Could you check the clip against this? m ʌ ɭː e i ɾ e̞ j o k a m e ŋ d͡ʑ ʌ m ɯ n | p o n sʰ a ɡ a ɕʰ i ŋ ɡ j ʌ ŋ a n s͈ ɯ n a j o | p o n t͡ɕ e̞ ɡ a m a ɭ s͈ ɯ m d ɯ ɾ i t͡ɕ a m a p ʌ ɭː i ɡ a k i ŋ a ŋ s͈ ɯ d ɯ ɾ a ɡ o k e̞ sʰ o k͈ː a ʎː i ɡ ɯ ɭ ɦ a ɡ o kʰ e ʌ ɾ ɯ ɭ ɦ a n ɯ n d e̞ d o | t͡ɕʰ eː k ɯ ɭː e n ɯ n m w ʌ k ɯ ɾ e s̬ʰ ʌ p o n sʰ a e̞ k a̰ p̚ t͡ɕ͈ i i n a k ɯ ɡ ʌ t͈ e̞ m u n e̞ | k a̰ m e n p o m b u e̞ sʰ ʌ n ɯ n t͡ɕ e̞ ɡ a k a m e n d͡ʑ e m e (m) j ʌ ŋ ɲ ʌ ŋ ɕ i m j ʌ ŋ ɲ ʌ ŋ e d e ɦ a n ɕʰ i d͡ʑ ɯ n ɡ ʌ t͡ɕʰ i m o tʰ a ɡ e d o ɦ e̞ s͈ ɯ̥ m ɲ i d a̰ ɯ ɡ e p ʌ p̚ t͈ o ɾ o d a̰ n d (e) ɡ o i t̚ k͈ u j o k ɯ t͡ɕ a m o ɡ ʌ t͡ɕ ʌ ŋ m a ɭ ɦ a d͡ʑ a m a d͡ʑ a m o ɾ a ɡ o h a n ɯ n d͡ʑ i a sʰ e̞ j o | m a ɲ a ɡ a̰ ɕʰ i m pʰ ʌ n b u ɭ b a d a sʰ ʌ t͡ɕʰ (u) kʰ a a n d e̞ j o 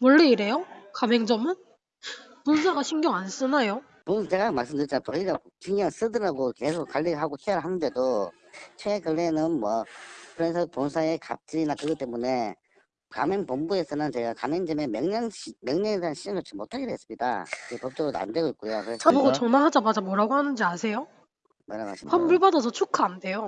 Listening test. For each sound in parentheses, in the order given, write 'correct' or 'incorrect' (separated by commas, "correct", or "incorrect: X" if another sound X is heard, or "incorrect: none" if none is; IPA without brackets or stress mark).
correct, correct, correct